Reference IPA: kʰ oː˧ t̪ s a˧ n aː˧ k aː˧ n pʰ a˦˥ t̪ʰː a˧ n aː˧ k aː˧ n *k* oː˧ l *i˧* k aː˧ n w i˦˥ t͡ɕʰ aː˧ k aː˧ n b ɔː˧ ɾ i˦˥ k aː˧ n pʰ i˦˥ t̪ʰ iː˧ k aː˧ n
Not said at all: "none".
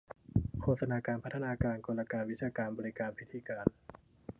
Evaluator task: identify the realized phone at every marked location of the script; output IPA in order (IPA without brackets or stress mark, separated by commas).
k, a˧